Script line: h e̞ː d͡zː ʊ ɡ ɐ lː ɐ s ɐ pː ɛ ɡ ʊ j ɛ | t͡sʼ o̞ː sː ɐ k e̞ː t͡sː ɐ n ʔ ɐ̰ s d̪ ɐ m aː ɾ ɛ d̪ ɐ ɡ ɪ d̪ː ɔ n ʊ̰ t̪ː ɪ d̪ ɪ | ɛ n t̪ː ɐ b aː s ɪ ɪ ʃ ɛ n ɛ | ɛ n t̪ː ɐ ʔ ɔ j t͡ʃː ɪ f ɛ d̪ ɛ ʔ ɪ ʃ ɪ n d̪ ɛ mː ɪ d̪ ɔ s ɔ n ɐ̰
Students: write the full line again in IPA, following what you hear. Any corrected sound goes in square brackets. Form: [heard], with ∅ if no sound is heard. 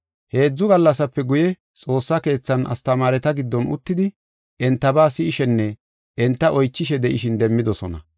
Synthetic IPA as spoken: h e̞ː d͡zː ʊ ɡ ɐ lː ɐ s ɐ pː ɛ ɡ ʊ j ɛ | t͡sʼ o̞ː sː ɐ k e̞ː t͡sː ɐ n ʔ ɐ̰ s [t̪] ɐ m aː ɾ ɛ [t̪] ɐ ɡ ɪ d̪ː ɔ n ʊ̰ t̪ː ɪ d̪ ɪ | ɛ n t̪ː ɐ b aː s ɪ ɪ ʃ ɛ [nː] ɛ | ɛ n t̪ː ɐ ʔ ɔ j t͡ʃː ɪ [ʃ] ɛ d̪ ɛ ʔ ɪ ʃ ɪ n d̪ ɛ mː ɪ d̪ ɔ s ɔ n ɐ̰